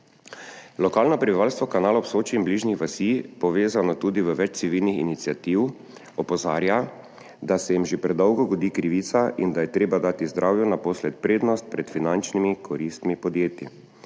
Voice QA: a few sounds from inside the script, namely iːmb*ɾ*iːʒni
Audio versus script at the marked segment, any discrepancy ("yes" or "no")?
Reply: yes